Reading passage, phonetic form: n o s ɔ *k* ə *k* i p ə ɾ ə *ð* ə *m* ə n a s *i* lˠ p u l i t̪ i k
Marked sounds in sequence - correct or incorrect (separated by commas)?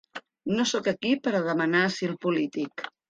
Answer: correct, correct, correct, correct, correct